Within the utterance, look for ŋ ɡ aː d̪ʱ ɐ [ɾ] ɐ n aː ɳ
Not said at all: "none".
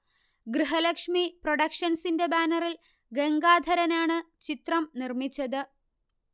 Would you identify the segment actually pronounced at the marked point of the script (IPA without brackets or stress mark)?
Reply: ɾ